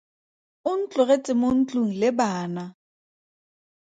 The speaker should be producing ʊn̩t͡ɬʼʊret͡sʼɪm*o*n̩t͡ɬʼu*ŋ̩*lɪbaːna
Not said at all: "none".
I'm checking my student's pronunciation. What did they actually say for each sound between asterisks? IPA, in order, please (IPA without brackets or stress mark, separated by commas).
o, ŋ̩